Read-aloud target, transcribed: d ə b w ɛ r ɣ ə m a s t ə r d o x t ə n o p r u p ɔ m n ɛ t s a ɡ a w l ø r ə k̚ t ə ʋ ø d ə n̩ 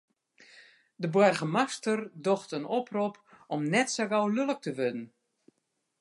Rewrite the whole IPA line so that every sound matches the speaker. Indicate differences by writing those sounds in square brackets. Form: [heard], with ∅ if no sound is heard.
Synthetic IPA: d ə b w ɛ r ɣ ə m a s t ə r d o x t ə n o p r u p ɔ m n ɛ t s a ɡ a w l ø [l] ə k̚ t ə ʋ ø d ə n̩